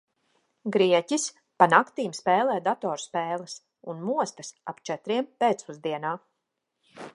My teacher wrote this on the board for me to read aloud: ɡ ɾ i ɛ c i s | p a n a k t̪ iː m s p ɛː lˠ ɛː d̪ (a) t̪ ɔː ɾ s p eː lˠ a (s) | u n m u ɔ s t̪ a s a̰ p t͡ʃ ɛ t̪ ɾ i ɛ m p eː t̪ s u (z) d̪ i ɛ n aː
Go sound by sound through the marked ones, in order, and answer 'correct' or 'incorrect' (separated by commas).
correct, correct, correct